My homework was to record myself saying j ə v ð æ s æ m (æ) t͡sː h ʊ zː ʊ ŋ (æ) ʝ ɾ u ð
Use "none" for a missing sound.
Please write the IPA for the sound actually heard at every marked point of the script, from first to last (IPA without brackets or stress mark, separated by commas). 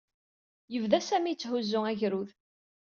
i, æ